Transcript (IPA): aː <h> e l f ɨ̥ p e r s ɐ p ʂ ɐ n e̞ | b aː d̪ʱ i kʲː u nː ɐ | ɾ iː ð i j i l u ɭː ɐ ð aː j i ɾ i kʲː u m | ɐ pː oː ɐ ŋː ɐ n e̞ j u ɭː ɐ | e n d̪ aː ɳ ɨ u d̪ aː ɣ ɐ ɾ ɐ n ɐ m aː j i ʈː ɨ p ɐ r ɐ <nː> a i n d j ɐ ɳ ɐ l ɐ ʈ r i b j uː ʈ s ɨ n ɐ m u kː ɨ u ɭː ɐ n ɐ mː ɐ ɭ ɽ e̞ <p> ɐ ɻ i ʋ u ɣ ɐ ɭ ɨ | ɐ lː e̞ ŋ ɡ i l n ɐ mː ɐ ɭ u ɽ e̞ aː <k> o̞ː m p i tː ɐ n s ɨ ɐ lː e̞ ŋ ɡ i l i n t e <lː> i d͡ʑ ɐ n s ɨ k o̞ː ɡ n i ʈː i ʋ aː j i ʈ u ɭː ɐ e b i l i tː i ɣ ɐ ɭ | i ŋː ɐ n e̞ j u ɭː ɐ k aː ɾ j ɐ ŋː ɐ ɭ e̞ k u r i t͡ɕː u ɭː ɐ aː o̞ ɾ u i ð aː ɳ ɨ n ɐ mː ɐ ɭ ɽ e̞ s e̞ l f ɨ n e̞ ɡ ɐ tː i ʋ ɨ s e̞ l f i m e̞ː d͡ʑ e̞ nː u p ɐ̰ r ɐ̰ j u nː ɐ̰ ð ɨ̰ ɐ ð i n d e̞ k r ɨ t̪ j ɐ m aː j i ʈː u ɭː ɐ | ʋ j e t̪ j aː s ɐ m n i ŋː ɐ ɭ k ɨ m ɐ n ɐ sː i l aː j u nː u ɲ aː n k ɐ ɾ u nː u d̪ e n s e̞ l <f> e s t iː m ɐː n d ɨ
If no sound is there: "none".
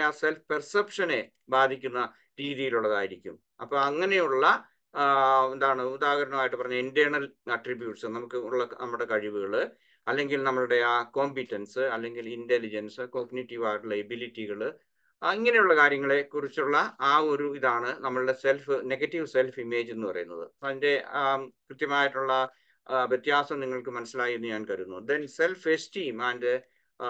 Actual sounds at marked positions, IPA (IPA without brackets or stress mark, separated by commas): s, ɲː, k, k, l, f